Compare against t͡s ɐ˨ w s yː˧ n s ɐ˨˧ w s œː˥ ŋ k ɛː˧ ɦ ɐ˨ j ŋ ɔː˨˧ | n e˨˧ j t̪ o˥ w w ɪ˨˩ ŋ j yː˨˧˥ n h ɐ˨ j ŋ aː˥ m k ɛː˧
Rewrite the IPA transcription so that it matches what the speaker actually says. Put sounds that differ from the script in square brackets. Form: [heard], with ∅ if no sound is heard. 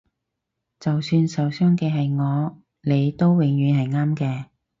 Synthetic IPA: t͡s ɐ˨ w s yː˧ n s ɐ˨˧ w s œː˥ ŋ k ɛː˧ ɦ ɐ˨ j ŋ ɔː˨˧ | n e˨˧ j t̪ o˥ w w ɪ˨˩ ŋ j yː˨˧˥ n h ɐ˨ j ŋ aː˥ m k ɛː˧